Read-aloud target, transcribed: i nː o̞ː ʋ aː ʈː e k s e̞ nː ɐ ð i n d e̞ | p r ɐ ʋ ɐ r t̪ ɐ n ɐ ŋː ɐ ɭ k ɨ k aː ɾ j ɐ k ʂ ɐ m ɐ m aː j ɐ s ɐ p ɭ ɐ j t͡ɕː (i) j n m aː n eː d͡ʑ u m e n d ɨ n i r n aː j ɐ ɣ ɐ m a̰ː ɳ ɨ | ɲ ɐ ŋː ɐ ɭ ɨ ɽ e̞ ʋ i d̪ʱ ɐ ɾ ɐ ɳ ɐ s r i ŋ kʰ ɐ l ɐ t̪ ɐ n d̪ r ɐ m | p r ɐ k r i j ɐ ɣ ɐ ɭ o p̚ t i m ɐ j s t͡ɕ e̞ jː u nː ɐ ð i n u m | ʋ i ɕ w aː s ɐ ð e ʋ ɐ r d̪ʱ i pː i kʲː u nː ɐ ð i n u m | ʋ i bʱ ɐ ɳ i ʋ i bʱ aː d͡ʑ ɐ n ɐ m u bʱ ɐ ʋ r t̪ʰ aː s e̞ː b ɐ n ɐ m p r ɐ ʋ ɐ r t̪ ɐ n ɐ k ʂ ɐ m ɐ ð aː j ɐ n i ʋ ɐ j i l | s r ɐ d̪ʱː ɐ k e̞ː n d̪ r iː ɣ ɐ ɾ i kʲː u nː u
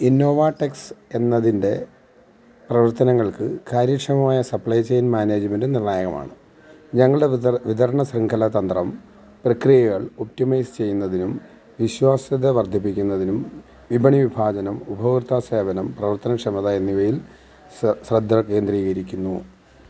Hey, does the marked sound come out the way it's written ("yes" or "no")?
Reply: no